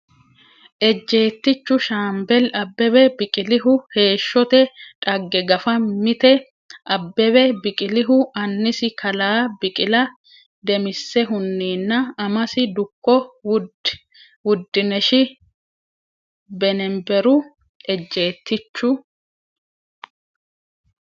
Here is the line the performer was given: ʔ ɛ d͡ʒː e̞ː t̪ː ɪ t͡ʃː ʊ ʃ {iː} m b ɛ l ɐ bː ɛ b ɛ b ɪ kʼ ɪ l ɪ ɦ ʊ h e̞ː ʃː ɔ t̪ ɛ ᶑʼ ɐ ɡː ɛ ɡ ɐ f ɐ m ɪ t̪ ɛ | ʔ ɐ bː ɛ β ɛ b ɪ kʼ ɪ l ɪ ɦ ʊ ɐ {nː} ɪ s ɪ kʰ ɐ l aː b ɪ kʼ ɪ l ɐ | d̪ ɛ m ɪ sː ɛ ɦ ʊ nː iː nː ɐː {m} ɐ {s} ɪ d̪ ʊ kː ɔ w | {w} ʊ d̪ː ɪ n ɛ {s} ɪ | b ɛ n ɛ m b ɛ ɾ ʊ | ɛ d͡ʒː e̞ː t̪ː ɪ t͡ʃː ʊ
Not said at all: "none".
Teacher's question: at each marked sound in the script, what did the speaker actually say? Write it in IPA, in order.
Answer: aː, nː, m, s, w, ʃ

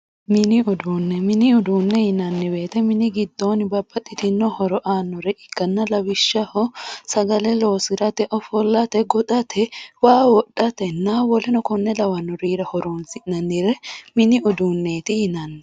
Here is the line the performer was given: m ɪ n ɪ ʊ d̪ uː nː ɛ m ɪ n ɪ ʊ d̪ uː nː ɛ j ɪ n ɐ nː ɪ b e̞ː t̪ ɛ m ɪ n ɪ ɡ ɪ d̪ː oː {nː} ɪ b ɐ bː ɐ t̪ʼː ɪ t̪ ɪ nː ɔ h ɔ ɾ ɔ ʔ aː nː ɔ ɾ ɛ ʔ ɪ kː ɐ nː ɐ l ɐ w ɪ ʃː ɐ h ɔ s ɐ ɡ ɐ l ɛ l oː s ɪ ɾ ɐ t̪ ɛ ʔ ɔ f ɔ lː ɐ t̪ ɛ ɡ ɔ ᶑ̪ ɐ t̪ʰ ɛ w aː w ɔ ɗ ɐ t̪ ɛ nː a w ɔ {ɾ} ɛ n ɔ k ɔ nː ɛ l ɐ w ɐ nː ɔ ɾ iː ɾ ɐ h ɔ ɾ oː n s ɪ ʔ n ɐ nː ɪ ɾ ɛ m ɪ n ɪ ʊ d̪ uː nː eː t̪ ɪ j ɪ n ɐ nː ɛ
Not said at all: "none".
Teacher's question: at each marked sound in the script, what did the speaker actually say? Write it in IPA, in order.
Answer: n, l

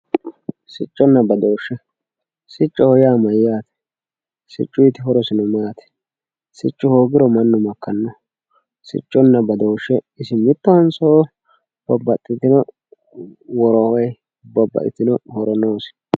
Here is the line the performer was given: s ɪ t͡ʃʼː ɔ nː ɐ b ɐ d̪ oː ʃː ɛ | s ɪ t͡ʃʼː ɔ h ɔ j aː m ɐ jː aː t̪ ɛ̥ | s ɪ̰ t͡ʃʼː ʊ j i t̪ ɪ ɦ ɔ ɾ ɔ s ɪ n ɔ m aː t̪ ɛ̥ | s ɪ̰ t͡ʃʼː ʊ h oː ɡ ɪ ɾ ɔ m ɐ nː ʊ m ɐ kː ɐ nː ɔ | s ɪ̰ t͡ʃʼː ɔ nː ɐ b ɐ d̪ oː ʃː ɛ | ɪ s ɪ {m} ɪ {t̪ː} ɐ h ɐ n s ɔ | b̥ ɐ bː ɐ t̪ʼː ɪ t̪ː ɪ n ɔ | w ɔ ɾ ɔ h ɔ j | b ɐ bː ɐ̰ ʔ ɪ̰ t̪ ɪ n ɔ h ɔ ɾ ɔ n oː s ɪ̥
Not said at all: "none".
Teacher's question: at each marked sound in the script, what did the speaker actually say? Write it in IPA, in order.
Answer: m, t̪ː

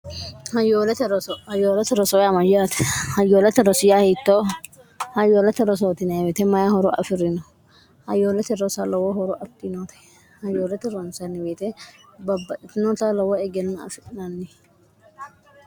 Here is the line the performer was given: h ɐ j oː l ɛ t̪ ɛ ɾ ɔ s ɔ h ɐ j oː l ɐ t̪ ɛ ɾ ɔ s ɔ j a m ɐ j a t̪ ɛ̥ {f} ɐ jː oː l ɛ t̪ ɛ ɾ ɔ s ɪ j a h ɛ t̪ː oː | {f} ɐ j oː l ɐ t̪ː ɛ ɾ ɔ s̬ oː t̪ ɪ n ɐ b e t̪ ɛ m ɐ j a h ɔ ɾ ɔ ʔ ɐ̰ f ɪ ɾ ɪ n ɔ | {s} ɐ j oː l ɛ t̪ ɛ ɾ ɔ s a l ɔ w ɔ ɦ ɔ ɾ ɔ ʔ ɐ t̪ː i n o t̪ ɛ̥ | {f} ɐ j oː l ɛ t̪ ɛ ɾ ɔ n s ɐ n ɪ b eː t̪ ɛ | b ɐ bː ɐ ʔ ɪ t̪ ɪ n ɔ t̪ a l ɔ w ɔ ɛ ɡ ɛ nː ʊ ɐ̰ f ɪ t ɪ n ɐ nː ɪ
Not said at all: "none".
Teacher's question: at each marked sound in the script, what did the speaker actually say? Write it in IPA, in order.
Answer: h, h, h, h

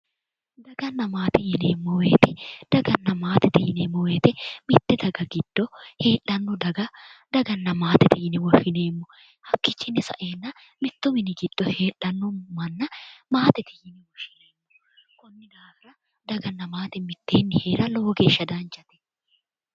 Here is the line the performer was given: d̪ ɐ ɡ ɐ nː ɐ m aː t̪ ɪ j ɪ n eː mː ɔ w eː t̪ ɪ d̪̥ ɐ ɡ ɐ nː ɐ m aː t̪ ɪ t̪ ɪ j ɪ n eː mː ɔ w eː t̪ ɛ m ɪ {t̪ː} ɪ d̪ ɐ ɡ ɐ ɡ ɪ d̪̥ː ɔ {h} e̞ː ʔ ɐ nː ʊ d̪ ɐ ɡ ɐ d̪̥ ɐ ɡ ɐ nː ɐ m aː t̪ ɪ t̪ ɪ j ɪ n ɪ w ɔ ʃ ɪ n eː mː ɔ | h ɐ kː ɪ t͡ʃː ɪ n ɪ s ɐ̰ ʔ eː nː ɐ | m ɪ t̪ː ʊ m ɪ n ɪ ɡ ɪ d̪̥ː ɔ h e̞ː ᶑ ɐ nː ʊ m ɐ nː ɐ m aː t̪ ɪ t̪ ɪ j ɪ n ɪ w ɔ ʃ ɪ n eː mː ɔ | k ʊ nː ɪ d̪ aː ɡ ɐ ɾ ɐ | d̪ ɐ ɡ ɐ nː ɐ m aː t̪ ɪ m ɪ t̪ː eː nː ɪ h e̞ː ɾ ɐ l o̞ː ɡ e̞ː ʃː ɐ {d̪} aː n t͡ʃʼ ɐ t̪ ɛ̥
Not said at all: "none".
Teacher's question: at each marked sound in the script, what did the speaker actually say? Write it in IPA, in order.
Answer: t̪ː, h, d̪

